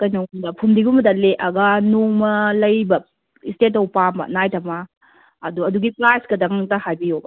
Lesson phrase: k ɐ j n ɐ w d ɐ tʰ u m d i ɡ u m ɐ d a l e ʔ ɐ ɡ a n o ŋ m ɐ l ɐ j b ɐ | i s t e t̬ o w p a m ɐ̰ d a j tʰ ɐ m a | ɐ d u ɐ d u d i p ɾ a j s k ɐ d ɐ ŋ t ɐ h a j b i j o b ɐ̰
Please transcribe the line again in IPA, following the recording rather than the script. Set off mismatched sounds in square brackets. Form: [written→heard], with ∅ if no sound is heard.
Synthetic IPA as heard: k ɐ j n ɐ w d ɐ [tʰ→pʰ] u m d i ɡ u m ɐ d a l e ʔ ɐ ɡ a n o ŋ m ɐ l ɐ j b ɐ | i s t e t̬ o w p a m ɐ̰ [d→n] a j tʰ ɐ m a | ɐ d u ɐ d u [d→ɡ] i p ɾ a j s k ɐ d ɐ ŋ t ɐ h a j b i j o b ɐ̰